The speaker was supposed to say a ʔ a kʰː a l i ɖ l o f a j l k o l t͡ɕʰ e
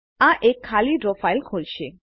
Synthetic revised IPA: a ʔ e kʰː a l i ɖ ɾ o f a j l kʰ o l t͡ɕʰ e